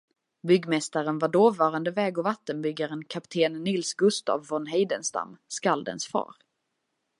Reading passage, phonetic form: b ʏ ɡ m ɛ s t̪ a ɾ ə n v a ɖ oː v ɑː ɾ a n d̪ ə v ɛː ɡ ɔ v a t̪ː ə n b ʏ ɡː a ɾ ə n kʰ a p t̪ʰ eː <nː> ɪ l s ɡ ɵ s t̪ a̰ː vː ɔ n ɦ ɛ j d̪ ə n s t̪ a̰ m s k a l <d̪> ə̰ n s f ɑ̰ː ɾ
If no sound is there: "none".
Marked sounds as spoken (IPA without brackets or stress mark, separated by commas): nː, d̪